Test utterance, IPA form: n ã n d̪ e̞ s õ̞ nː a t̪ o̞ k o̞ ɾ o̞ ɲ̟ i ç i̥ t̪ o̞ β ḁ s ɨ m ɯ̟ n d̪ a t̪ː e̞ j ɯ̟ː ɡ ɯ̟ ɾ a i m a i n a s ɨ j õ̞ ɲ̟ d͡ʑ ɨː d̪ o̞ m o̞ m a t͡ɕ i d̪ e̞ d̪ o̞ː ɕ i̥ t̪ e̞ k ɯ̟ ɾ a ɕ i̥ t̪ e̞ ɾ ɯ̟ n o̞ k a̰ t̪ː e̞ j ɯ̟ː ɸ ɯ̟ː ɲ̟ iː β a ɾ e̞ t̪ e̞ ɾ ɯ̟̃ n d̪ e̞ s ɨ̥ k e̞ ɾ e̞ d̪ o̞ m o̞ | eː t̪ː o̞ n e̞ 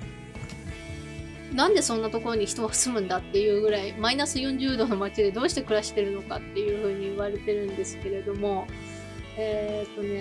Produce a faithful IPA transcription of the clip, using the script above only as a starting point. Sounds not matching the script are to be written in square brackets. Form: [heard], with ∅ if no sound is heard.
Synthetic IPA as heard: n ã n d̪ e̞ s õ̞ nː a t̪ o̞ k o̞ ɾ o̞ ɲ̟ i ç i̥ t̪ o̞ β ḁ s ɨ m [ɯ̟̃] n d̪ a t̪ː e̞ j ɯ̟ː ɡ ɯ̟ ɾ a i m a i n a s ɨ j õ̞ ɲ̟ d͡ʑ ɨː d̪ o̞ [n] o̞ m a t͡ɕ i d̪ e̞ d̪ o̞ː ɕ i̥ t̪ e̞ k ɯ̟ ɾ a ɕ i̥ t̪ e̞ ɾ ɯ̟ n o̞ k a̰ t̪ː e̞ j ɯ̟ː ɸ ɯ̟ː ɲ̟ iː β a ɾ e̞ t̪ e̞ ɾ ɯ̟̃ n d̪ e̞ s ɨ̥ k e̞ ɾ e̞ d̪ o̞ m o̞ | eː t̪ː o̞ n e̞